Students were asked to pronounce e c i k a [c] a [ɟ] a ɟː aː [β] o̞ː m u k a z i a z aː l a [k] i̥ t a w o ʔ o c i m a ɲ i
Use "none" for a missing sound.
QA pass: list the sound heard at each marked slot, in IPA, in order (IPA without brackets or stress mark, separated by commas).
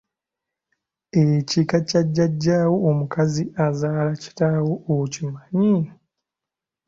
c, ɟː, w, c